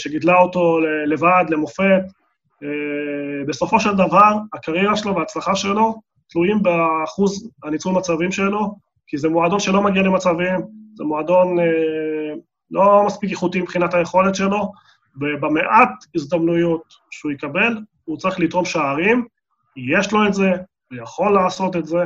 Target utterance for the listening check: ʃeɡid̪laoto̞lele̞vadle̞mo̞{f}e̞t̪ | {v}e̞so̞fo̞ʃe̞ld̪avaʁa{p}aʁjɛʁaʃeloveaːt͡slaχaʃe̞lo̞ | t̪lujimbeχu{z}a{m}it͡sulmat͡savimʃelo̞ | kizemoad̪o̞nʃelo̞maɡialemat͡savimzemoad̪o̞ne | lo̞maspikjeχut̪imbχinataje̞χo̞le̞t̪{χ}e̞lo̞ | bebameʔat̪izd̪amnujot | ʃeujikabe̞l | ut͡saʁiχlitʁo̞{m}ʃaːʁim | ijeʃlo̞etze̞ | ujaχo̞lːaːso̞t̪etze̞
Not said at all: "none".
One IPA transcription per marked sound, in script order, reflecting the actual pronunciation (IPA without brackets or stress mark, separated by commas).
f, b, k, z, n, ʃ, m